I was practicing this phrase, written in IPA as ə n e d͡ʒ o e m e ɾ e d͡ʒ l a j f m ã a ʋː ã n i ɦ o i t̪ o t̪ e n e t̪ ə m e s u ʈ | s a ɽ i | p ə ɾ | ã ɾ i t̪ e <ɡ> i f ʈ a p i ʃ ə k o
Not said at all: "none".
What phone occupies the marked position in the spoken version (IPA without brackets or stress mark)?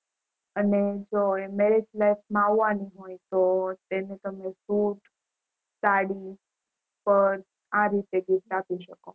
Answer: ɡ